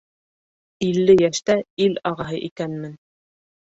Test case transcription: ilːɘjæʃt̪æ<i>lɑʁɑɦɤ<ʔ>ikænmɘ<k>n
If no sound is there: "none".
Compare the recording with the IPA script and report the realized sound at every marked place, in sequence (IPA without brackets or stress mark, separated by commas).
i, ʔ, none